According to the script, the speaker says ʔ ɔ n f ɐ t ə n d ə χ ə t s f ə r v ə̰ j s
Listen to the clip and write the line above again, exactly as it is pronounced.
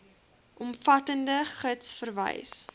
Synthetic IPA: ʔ ɔ m f ɐ t ə n d ə χ ə t s f ə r v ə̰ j s